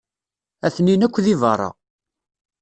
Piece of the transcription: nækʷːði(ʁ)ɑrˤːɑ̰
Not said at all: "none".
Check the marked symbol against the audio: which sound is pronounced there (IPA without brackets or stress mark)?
v